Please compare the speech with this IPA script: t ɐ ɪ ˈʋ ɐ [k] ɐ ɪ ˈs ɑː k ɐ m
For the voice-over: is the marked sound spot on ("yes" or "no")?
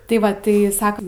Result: no